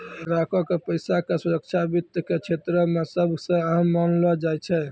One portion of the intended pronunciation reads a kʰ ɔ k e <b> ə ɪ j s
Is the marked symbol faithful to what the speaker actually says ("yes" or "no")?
no